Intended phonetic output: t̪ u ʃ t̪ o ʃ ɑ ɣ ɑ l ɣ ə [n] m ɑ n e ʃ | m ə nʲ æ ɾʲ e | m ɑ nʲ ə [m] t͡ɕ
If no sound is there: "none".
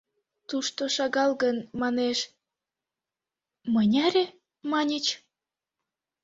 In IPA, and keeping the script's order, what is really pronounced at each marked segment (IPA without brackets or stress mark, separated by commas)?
n, none